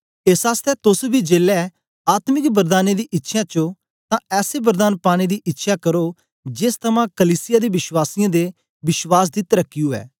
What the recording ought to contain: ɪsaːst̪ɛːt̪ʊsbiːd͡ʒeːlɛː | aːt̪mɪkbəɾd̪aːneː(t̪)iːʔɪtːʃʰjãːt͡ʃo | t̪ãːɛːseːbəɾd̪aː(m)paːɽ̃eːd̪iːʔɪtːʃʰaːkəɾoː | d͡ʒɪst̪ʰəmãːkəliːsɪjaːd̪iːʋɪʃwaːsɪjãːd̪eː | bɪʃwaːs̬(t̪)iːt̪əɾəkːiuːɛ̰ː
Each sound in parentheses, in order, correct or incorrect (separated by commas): incorrect, incorrect, incorrect